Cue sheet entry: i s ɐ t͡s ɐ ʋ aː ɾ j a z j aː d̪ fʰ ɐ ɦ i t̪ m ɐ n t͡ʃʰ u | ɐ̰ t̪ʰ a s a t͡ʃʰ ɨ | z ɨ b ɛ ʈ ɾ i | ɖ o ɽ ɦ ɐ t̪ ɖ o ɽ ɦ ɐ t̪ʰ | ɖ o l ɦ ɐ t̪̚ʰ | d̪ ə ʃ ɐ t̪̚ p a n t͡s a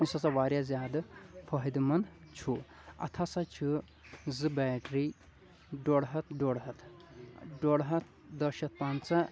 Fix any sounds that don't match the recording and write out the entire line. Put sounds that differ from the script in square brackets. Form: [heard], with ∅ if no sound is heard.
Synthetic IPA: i s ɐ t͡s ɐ ʋ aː ɾ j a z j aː d̪ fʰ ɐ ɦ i [d̪] m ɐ n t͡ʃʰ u | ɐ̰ t̪ʰ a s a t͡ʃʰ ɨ | z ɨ b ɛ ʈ ɾ i | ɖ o ɽ ɦ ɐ t̪ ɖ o ɽ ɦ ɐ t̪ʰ | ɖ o [ɽ] ɦ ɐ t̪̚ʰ | d̪ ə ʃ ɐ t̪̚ p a n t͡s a